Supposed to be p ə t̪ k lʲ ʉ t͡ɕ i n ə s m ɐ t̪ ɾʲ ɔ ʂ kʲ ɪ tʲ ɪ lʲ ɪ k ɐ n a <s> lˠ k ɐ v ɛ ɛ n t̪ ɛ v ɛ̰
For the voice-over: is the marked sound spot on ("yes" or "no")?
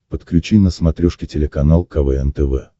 no